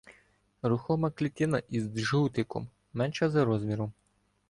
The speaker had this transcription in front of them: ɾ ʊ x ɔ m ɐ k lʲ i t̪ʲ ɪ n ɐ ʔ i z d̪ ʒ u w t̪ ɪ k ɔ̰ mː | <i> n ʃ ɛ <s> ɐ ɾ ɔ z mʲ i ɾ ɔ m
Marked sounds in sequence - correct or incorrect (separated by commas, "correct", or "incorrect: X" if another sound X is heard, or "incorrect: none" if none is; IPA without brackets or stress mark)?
incorrect: ɛ, incorrect: z